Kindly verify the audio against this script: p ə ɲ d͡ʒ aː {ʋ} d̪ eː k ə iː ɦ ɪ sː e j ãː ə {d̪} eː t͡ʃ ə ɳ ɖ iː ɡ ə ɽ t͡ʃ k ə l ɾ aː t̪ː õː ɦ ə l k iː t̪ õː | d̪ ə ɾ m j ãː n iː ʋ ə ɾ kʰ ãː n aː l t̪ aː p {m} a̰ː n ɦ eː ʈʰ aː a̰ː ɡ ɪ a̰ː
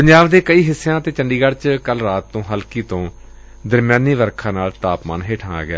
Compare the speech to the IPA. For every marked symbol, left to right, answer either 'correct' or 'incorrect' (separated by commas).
correct, incorrect, correct